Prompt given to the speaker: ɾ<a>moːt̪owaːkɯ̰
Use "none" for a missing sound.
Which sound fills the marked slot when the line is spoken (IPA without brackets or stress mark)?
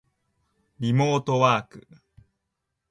i